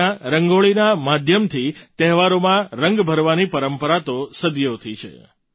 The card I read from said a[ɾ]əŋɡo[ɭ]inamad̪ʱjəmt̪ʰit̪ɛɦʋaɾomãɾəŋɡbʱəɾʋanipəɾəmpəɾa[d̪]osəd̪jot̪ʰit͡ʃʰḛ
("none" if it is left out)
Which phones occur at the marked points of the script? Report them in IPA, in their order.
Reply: ɾ, ɭ, t̪

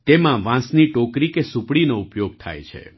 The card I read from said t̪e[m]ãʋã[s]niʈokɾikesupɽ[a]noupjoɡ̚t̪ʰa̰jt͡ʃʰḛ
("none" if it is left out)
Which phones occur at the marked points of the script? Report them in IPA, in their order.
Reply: m, s, i

